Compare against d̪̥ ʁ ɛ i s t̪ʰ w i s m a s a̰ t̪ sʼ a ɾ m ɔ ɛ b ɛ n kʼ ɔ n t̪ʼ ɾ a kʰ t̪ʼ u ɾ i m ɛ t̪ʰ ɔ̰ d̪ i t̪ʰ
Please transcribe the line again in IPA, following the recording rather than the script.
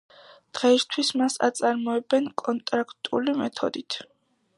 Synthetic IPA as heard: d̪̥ ʁ ɛ i s t̪ʰ w i s m a s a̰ t̪ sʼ a ɾ m ɔ ɛ b ɛ n kʼ ɔ n t̪ʼ ɾ a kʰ t̪ʼ u l i m ɛ t̪ʰ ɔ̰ d̪ i t̪ʰ